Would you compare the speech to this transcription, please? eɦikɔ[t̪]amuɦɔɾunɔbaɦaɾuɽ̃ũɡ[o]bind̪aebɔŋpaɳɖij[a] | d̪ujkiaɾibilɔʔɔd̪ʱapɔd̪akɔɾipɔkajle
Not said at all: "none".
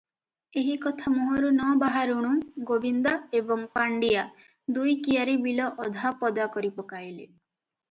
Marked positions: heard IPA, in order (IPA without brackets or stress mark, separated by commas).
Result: t̪ʰ, o, a